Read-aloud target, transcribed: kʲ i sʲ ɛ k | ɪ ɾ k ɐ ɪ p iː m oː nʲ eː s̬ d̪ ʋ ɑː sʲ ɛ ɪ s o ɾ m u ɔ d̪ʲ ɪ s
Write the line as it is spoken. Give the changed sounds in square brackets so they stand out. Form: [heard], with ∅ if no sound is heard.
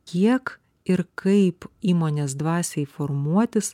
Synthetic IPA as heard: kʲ i [∅] ɛ k | ɪ ɾ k ɐ ɪ p iː m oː nʲ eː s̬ d̪ ʋ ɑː sʲ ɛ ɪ [f] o ɾ m u ɔ [t̪ʲ] ɪ s